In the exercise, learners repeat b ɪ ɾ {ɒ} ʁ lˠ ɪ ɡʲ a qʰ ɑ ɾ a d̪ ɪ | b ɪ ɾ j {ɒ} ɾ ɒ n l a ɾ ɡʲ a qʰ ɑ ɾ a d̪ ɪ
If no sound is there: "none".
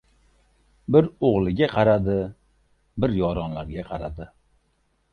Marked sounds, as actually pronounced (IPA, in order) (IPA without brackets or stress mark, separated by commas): o, ɒ